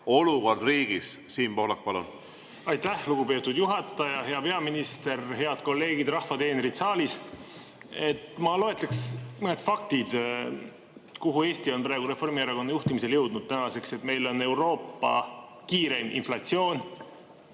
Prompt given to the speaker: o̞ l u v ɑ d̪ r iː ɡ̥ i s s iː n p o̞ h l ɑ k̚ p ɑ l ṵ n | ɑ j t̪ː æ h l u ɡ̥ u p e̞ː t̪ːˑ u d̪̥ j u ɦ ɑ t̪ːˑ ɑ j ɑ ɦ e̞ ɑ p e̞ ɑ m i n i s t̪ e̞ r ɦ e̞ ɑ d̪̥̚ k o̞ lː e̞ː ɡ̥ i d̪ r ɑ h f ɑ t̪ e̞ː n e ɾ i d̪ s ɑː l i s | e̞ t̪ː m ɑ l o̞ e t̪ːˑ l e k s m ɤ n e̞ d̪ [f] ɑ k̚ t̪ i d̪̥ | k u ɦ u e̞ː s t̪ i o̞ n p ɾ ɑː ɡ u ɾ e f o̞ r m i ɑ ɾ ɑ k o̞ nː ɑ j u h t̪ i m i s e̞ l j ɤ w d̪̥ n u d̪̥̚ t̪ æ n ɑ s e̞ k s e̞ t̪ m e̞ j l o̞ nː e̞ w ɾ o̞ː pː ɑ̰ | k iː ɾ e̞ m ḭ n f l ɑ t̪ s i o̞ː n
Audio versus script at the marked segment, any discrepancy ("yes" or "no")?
no